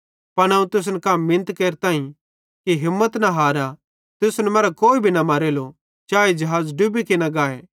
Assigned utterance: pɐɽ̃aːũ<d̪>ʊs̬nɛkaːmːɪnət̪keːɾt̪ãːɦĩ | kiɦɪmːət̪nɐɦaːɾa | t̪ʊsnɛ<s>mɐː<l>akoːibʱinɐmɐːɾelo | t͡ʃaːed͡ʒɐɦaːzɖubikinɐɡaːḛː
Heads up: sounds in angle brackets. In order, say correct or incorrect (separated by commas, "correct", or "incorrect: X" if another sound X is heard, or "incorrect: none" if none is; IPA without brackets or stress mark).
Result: incorrect: t̪, incorrect: none, incorrect: ɾ